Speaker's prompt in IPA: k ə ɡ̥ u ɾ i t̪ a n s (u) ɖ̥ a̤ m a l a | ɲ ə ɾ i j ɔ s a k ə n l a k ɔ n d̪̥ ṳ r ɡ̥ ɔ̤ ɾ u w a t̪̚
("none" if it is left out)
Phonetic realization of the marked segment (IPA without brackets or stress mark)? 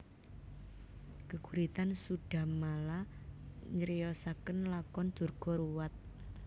u